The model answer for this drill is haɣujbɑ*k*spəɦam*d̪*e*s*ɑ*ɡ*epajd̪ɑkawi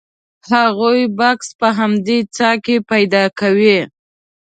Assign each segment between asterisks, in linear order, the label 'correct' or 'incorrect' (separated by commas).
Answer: correct, correct, incorrect, incorrect